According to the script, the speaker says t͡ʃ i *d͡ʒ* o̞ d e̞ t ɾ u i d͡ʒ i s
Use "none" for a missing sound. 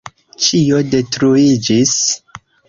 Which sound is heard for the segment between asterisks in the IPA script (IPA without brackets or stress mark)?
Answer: none